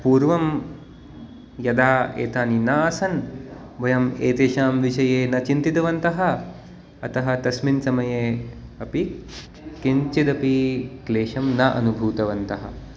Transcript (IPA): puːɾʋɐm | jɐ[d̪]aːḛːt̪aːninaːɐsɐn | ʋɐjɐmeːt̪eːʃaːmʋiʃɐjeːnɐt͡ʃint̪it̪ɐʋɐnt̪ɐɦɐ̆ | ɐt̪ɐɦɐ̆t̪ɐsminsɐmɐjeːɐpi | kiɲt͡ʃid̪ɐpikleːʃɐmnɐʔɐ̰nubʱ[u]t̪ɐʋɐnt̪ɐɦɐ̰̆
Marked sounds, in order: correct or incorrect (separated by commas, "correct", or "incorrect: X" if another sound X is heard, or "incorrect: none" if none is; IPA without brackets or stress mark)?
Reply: correct, incorrect: uː